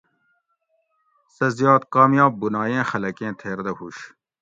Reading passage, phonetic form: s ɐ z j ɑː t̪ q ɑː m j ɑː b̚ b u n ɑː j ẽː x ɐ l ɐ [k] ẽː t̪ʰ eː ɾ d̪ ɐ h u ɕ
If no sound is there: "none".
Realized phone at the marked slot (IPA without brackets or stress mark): k